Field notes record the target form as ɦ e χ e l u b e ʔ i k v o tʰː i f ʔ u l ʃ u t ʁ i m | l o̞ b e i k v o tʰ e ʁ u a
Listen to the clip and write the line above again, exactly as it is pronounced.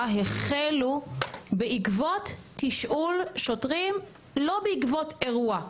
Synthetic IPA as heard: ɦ e χ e l u b e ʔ i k v o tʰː i ʃ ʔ u l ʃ o t ʁ i m | l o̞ b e i k v o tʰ e ʁ u a